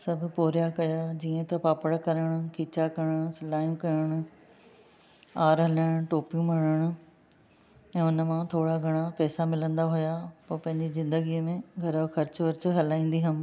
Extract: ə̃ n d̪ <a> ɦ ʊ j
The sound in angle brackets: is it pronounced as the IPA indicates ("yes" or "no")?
yes